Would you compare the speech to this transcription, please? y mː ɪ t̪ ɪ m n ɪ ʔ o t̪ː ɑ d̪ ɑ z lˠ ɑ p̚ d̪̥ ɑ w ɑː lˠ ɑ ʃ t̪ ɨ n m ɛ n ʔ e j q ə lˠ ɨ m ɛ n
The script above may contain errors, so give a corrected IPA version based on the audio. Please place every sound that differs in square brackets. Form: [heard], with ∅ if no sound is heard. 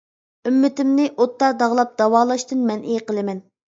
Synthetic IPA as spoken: y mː ɪ t̪ ɪ m n ɪ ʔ o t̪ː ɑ d̪ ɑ [ʁ] lˠ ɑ p̚ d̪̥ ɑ w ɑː lˠ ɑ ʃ t̪ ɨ n m ɛ n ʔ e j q ə lˠ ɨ m ɛ n